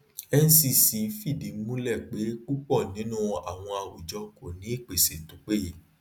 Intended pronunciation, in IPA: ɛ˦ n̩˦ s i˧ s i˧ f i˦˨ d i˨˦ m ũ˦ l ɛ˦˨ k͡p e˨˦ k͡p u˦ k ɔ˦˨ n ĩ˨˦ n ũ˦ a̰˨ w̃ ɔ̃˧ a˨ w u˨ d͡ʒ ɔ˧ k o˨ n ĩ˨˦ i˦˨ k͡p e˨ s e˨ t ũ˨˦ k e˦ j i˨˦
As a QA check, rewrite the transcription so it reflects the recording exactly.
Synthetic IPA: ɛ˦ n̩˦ s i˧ s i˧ f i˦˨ d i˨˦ m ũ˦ l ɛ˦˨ k͡p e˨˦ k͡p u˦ k͡p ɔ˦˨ n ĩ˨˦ n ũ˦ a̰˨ w̃ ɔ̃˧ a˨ w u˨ d͡ʒ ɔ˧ k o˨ n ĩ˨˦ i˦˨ k͡p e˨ s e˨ t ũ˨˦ k͡p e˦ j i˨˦